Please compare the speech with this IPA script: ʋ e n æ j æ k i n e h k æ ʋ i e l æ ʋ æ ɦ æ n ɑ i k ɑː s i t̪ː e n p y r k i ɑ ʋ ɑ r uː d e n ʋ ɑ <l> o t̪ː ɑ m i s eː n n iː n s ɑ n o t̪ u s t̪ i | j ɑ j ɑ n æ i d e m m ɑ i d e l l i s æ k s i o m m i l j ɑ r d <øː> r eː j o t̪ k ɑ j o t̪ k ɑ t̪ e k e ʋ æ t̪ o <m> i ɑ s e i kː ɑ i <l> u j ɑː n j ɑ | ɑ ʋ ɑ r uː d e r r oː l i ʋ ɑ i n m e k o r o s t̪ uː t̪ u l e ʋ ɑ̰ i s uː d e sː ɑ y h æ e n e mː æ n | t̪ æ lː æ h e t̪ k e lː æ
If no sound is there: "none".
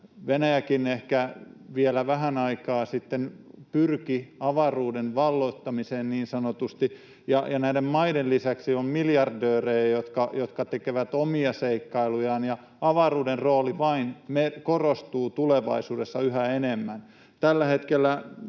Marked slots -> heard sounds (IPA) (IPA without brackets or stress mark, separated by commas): lː, øː, m, l